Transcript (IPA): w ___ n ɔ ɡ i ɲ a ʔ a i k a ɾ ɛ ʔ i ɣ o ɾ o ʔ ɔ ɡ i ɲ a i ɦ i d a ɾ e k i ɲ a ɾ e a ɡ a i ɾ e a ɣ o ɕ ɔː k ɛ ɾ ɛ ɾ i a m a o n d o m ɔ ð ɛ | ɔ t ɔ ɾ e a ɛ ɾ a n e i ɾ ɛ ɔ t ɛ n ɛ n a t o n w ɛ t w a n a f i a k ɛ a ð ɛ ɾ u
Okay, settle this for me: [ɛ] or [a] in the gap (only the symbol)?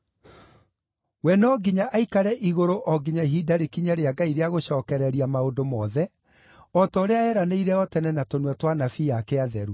ɛ